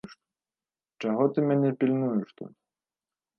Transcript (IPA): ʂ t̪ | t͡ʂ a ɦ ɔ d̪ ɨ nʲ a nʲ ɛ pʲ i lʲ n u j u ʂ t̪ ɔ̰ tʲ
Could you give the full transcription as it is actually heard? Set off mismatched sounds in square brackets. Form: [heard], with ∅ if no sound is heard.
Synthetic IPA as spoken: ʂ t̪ | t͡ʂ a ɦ ɔ [t̪] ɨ [mʲ] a nʲ ɛ pʲ i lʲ n u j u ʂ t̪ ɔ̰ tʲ